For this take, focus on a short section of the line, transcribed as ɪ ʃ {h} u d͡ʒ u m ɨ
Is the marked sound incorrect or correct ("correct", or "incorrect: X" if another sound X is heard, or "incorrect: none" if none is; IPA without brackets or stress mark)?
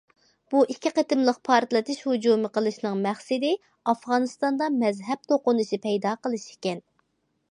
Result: correct